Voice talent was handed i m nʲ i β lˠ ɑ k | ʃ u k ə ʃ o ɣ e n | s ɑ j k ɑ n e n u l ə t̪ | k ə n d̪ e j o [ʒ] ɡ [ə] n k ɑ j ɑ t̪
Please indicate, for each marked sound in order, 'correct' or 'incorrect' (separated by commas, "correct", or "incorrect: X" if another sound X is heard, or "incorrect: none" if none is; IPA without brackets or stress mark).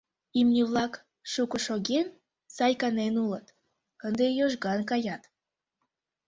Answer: correct, incorrect: ɑ